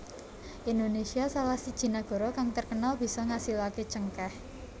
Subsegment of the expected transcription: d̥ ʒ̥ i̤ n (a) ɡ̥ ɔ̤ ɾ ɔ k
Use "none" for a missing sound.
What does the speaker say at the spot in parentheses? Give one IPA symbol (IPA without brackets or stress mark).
a